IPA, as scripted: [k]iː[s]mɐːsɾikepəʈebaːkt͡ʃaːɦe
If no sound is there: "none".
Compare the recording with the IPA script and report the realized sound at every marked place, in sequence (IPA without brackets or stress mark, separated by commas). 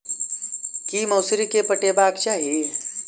k, none